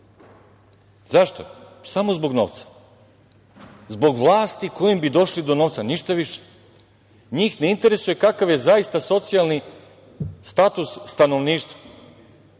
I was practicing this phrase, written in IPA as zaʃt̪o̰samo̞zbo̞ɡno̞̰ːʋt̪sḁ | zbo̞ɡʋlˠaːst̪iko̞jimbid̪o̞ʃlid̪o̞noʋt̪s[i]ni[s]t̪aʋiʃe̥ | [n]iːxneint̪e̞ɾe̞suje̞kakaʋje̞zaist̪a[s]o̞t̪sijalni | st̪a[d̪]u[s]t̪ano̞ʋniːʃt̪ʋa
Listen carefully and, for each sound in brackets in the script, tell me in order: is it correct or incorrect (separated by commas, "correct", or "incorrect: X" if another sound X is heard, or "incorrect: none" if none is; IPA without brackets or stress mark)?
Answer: incorrect: a, incorrect: ʃ, incorrect: ɲ, correct, incorrect: t̪, incorrect: sː